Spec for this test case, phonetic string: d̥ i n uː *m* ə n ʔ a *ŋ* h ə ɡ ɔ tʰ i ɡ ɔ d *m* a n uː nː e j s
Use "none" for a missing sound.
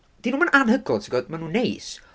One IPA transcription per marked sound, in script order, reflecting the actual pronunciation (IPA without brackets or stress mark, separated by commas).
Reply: m, n, m